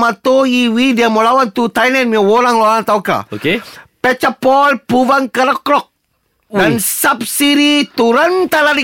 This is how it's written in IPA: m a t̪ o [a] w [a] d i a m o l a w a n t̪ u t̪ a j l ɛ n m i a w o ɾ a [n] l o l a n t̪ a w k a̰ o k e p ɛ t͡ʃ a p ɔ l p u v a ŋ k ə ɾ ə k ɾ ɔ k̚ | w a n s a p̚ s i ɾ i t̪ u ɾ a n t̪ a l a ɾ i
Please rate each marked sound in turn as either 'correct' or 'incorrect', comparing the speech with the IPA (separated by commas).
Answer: incorrect, incorrect, incorrect